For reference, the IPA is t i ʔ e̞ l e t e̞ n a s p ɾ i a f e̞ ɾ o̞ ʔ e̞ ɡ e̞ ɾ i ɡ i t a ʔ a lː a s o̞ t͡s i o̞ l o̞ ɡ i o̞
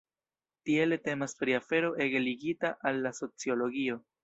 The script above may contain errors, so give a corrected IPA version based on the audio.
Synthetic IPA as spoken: t i e̞ l e t e̞ m a s p ɾ i a f e̞ ɾ o̞ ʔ e̞ ɡ e̞ l i ɡ i t a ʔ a lː a s o̞ t͡s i o̞ l o̞ ɡ i o̞